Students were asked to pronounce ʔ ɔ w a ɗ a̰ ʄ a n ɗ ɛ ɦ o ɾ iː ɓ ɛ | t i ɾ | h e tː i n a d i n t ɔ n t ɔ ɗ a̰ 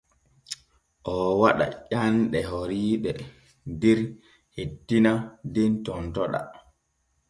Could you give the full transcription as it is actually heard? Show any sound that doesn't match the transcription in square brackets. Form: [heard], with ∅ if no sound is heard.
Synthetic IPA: ʔ ɔ w a ɗ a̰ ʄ a n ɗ ɛ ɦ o ɾ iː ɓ ɛ | [d] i ɾ | h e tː i n a d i n t ɔ n t ɔ ɗ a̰

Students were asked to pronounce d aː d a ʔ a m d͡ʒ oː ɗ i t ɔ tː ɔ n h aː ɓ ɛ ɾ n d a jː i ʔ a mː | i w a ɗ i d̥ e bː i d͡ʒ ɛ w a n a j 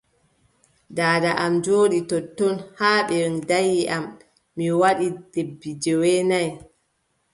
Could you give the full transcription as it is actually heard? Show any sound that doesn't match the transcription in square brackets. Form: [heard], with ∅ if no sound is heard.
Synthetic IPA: d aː d a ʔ a m d͡ʒ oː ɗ i t ɔ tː ɔ n h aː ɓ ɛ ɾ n d a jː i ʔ a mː | i w a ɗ i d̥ e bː i d͡ʒ ɛ w [ɛ] n a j

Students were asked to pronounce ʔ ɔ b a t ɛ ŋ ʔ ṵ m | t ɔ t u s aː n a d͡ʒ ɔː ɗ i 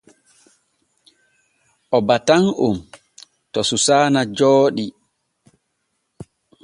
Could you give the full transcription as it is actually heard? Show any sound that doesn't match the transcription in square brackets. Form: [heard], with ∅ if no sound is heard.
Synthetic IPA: ʔ ɔ b a t [a] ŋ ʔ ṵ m | t ɔ [s] u s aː n a d͡ʒ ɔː ɗ i

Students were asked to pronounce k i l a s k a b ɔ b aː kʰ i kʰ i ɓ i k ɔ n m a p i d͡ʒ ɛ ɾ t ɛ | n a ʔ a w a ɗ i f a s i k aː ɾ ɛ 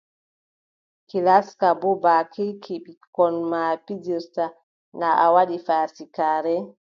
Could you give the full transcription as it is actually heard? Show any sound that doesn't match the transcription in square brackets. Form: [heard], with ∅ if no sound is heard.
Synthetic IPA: k i l a s k a b ɔ b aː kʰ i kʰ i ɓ i k ɔ n m a p i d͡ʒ [i] ɾ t [a] | n a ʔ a w a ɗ i f a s i k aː ɾ ɛ

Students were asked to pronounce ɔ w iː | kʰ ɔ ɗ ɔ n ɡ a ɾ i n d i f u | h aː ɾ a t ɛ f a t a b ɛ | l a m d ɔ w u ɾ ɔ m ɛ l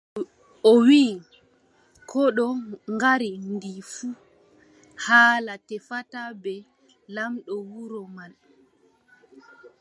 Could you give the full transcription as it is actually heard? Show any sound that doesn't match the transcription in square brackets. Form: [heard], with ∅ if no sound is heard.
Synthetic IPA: ɔ w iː | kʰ ɔ ɗ ɔ [ŋ] ɡ a ɾ i n d i f u | h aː [l] a t ɛ f a t a b ɛ | l a m [ɗ] ɔ w u ɾ ɔ m [a] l

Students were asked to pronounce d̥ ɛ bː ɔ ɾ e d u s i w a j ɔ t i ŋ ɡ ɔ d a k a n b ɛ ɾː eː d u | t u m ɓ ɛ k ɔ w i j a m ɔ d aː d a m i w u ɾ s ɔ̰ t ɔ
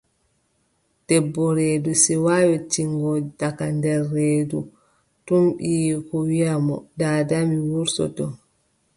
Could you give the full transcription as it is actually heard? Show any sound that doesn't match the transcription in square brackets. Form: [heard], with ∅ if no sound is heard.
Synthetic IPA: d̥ ɛ bː ɔ ɾ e d u s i w a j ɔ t i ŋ ɡ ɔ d a k a n [d] ɛ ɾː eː d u | t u m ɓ [i] k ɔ w i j a m ɔ d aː d a m i w u ɾ s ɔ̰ t ɔ

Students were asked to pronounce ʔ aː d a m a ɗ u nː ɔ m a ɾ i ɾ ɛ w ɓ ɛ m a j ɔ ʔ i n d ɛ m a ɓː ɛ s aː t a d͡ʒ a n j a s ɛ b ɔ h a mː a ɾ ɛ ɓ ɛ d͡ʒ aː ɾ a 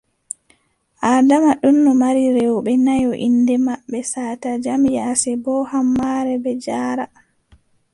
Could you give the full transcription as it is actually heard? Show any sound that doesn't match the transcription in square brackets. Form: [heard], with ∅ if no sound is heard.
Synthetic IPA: ʔ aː d a m a ɗ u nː ɔ m a ɾ i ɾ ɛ w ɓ ɛ [n] a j ɔ ʔ i n d ɛ m a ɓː ɛ s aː t a d͡ʒ a [m] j a s ɛ b ɔ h a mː a ɾ ɛ [b] ɛ d͡ʒ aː ɾ a

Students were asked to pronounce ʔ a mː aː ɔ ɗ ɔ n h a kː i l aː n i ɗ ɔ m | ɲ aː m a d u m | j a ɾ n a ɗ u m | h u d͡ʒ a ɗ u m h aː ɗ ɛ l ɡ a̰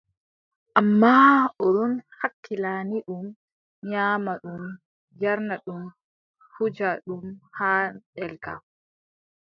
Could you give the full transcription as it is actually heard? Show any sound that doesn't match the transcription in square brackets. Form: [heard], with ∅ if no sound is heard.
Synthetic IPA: ʔ a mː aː ɔ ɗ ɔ n h a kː i l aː n i ɗ [u] m | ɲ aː m a [ɗ] u m | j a ɾ n a ɗ u m | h u d͡ʒ a ɗ u m h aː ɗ ɛ l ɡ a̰

